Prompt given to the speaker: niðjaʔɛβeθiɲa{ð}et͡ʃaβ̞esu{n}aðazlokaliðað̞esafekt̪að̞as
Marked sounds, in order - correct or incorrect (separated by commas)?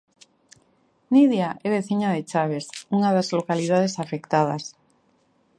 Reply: correct, incorrect